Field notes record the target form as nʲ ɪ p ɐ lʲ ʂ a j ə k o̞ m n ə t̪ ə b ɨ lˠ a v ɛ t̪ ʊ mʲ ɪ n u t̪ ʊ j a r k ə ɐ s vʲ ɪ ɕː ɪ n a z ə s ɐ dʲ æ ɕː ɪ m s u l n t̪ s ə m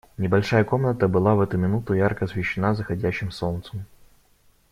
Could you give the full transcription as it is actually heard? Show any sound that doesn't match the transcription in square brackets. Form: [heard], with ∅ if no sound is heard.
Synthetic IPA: nʲ ɪ [b] ɐ lʲ ʂ a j ə k o̞ m n ə t̪ ə b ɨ lˠ a v ɛ t̪ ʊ mʲ ɪ n u t̪ ʊ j a r k ə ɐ s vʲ ɪ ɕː ɪ n a z ə [x] ɐ dʲ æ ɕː ɪ m s [o] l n t̪ s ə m